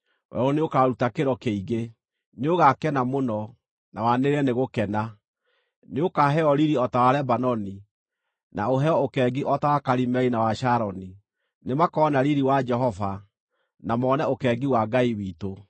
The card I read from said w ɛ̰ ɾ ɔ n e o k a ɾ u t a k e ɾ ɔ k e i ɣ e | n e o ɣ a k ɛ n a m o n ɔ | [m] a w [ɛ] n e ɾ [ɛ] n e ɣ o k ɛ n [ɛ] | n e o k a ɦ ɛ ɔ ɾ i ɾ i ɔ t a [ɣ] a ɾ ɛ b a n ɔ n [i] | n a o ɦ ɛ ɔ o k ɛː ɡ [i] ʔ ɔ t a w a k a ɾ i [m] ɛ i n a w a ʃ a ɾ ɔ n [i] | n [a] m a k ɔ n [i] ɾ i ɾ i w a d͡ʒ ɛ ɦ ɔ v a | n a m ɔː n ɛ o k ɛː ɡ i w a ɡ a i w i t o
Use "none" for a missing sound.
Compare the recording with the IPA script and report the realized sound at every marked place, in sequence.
n, a, ɛ, a, w, i, i, m, i, e, a

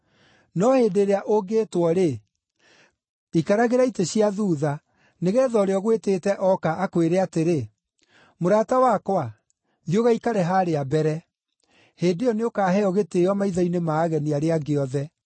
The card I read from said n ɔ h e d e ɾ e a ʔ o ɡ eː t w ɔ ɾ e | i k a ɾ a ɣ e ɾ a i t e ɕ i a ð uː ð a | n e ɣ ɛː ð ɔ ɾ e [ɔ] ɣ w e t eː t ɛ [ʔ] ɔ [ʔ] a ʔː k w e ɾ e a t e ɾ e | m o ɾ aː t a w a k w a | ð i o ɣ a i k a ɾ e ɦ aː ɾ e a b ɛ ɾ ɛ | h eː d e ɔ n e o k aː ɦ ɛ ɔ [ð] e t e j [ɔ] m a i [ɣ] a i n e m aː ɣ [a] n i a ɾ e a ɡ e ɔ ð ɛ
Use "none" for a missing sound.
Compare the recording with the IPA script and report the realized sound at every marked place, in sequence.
ɔ, ʔ, k, ɣ, ɔ, ð, ɛ

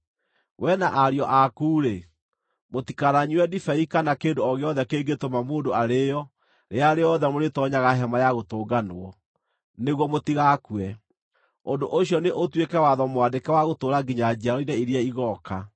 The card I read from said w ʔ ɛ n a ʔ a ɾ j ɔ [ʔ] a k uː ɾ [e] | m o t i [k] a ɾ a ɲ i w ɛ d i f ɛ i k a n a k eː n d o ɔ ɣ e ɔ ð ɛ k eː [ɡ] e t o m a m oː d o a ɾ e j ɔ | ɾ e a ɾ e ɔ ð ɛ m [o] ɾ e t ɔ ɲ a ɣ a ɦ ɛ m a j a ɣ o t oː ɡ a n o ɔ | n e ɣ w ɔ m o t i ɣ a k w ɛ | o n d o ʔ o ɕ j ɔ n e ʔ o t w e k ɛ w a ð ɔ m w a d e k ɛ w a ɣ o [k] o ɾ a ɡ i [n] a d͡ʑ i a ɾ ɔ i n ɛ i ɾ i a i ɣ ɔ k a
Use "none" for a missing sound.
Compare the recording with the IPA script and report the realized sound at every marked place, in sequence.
ʔ, e, k, ɡ, o, t, ɲ

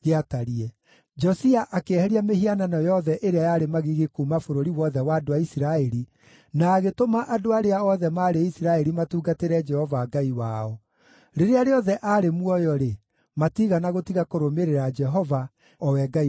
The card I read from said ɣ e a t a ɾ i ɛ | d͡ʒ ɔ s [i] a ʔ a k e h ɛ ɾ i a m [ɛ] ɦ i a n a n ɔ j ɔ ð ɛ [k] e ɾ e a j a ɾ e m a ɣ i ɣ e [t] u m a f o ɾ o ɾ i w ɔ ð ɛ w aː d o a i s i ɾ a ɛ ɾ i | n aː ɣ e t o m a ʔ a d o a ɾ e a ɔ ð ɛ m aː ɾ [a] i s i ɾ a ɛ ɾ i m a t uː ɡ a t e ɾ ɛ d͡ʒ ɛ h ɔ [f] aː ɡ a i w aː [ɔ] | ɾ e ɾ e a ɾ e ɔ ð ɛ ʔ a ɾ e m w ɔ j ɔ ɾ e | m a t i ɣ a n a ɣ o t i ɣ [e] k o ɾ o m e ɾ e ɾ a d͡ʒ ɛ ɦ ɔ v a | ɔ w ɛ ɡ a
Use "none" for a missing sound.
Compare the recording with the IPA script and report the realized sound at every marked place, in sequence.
i, e, ʔ, k, e, v, ɔ, a

